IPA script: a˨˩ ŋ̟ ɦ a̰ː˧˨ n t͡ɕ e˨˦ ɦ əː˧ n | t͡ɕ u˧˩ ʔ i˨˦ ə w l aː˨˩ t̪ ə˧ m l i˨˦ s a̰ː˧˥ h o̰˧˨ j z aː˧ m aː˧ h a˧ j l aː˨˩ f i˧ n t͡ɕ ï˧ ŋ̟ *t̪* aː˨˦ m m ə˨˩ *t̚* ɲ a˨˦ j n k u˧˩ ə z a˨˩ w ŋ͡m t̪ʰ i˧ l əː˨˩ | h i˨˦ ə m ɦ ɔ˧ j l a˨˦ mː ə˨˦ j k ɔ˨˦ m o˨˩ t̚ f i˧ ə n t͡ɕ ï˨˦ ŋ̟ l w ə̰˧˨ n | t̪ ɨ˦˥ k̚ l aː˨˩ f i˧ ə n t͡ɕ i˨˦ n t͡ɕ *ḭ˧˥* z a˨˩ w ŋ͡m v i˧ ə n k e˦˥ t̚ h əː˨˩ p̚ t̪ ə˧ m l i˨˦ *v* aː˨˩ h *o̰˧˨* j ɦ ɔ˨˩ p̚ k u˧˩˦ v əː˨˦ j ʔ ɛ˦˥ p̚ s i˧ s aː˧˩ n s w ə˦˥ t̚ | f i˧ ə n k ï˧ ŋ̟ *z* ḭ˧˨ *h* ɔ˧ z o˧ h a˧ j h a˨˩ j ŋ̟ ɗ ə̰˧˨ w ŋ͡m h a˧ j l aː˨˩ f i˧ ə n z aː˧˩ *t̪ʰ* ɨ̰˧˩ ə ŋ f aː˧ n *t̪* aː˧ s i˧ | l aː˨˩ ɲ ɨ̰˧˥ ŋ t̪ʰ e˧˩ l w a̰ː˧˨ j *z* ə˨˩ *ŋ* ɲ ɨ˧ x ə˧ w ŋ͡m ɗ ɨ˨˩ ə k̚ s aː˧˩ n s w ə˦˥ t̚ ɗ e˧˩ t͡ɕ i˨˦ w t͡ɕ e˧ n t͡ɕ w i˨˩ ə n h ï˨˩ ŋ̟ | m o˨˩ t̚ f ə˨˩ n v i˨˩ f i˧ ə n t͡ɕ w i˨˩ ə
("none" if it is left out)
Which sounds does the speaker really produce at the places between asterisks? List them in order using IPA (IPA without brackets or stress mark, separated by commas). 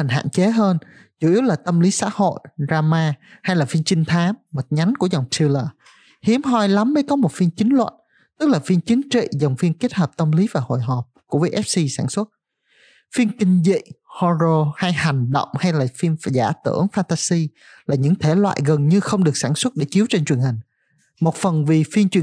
t̪ʰ, t̚, ḭ˧˨, v, o̰˧˨, z, h, t̪, t̪, ɣ, n